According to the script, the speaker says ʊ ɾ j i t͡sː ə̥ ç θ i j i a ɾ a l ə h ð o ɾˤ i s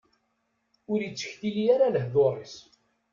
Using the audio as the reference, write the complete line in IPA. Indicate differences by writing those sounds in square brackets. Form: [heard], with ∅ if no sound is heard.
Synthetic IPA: ʊ ɾ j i t͡sː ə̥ ç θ i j i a ɾ a l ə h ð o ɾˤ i s